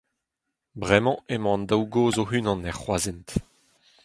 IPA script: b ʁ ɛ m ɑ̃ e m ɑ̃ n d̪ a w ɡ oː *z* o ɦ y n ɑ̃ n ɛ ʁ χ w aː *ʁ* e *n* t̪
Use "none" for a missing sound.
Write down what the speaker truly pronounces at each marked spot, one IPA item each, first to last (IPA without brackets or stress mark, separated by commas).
z, z, n